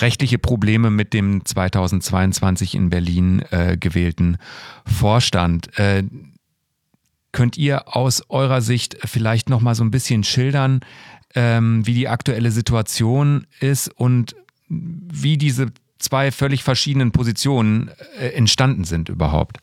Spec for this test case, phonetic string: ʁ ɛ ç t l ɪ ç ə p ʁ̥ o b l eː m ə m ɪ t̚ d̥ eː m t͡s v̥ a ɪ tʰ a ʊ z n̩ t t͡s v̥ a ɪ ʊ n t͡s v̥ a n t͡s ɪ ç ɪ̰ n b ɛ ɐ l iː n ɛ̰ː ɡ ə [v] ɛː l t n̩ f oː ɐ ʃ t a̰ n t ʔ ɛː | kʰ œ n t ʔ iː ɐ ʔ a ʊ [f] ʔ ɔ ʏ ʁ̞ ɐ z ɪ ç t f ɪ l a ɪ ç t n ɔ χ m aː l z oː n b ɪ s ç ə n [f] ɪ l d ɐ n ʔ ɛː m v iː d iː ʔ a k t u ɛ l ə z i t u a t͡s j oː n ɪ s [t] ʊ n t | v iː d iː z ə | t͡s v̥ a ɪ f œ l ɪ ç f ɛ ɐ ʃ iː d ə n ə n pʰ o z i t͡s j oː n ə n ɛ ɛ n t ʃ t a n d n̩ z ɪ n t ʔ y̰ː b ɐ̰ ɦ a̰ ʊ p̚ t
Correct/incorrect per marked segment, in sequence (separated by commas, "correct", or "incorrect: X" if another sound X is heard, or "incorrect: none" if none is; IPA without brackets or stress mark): correct, incorrect: s, incorrect: ʃ, correct